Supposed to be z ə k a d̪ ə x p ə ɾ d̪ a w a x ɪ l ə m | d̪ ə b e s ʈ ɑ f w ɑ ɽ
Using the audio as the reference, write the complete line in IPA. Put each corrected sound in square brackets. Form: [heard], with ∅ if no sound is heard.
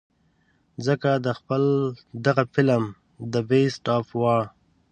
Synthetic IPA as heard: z ə k a d̪ ə x p ə [l] d̪ a [ɣ] a [f] ɪ l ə m | d̪ ə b e s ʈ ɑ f w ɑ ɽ

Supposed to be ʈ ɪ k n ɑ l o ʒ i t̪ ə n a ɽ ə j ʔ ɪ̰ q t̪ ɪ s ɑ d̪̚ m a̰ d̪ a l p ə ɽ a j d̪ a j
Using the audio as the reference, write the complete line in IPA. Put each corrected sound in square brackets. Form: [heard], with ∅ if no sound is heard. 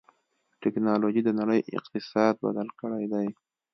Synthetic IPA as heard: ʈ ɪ k n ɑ l o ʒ i [d̪] ə n a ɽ ə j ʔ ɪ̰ q t̪ ɪ s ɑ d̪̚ [b] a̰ d̪ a l [k] ə ɽ a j d̪ a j

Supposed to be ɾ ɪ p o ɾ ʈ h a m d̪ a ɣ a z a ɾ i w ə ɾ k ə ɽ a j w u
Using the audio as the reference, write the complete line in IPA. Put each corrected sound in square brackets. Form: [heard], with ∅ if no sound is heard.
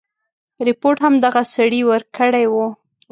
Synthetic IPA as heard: ɾ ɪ p o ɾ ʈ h a m d̪ a ɣ a [s] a [ɽ] i w ə ɾ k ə ɽ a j w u

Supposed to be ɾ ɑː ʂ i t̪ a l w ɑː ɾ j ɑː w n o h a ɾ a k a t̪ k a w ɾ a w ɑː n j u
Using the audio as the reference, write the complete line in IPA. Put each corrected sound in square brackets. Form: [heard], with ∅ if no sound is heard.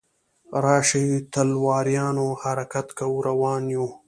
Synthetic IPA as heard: ɾ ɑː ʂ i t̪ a l w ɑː ɾ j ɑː [∅] n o h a ɾ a k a t̪ k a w ɾ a w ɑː n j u

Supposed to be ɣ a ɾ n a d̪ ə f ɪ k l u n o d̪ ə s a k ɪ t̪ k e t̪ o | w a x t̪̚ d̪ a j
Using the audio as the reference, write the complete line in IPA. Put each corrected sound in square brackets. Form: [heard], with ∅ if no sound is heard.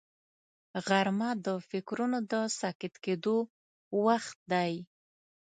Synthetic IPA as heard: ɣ a ɾ [m] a d̪ ə f ɪ k [ɾ] u n o d̪ ə s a k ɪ t̪ k e [d̪] o | w a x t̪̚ d̪ a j

